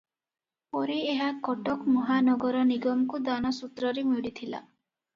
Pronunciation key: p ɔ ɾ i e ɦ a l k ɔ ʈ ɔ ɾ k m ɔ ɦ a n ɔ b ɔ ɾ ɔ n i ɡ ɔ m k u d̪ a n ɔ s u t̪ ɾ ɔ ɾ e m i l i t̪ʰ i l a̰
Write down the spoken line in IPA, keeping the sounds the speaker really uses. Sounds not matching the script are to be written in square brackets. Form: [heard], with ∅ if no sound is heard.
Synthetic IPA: p ɔ ɾ i e ɦ a [∅] k ɔ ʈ ɔ [∅] k m ɔ ɦ a n ɔ [ɡ] ɔ ɾ ɔ n i ɡ ɔ m k u d̪ a n ɔ s u t̪ ɾ ɔ ɾ e m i [ɽ] i t̪ʰ i l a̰